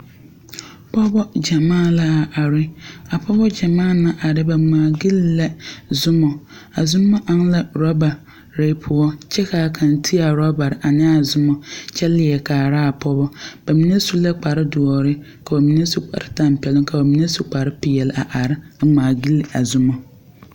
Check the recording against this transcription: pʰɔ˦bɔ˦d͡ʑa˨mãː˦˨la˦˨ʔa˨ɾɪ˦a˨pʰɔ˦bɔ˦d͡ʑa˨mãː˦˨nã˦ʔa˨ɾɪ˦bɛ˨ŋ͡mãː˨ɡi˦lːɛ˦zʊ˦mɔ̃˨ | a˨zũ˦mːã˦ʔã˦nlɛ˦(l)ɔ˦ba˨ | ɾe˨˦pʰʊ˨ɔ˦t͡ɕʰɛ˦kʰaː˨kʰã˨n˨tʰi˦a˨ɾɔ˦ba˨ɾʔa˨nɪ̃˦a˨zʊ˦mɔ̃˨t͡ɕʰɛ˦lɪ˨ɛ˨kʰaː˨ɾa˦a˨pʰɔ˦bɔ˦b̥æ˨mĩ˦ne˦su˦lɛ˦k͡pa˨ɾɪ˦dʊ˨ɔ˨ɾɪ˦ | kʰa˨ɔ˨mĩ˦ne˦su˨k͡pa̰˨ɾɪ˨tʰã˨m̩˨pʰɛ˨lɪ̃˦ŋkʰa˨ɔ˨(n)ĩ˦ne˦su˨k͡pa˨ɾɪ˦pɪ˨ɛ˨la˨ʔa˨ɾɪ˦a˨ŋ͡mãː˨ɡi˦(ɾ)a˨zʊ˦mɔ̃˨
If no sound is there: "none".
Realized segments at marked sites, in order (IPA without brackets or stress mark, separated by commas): ɾ, m, l